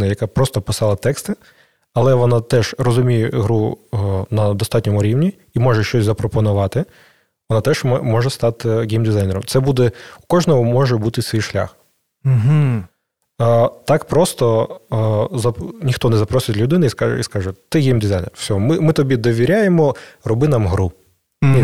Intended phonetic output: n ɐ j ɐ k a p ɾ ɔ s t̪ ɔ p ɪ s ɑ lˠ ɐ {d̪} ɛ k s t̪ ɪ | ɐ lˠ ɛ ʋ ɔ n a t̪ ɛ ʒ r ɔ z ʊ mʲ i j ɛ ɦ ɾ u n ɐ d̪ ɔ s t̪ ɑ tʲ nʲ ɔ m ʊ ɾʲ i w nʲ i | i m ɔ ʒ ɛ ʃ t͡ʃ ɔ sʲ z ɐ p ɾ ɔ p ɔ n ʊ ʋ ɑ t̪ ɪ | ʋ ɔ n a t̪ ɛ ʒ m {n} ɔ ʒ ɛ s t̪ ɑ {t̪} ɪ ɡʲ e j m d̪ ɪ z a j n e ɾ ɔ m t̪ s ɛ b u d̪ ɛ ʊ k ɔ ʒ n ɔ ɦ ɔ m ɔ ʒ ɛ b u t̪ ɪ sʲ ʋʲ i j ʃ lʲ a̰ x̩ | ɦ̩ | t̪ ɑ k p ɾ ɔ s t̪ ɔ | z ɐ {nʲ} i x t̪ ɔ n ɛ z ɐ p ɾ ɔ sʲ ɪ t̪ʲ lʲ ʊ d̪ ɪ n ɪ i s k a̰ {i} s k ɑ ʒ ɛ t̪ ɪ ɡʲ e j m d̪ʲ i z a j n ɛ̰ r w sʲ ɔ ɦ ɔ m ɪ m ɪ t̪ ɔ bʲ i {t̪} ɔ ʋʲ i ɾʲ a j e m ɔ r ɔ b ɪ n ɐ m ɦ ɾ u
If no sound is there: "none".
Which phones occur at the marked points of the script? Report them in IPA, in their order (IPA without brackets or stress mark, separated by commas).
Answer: t̪, m, t̪, nʲ, i, d̪